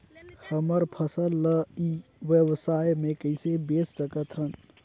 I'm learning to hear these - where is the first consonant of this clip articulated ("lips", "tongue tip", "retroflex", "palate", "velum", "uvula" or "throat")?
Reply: throat